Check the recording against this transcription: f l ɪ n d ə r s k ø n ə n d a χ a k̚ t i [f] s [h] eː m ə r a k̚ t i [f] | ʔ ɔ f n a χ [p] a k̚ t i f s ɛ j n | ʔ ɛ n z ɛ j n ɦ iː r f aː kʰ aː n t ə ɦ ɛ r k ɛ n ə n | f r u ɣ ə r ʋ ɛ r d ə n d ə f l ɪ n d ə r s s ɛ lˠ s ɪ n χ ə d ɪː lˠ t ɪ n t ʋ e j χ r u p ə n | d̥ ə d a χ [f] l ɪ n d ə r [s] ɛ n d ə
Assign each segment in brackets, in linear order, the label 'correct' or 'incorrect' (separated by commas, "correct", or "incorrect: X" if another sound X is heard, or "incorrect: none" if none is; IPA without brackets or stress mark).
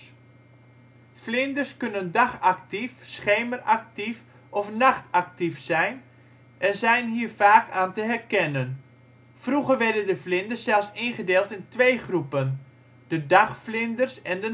correct, incorrect: χ, correct, incorrect: t, correct, correct